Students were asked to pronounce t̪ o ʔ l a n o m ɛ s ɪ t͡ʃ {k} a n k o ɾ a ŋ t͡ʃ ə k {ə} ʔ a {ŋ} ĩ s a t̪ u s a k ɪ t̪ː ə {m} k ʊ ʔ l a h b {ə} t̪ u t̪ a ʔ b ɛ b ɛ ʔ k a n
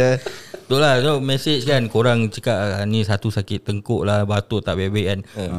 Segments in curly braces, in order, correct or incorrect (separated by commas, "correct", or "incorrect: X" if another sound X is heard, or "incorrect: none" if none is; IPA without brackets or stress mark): correct, incorrect: a, incorrect: n, incorrect: ŋ, incorrect: a